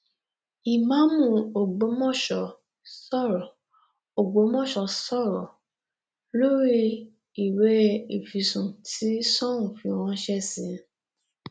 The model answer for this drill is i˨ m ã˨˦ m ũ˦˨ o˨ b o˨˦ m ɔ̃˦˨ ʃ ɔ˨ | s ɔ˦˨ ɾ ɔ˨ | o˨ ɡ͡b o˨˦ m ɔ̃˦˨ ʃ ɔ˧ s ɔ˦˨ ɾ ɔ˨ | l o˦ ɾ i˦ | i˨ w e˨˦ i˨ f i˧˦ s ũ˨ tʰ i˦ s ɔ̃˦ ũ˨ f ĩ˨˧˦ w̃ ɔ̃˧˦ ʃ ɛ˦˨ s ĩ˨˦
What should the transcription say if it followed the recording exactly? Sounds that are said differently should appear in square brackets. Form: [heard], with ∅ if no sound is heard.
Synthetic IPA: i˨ m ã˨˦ m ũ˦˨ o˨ [ɡ͡b] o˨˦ m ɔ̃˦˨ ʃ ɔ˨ | s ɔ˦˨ ɾ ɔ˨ | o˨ ɡ͡b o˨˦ m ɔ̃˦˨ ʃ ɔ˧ s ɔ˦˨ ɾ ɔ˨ | l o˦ ɾ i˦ | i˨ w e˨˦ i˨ f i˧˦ s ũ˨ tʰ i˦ s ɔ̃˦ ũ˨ f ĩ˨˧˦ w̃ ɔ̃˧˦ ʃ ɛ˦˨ s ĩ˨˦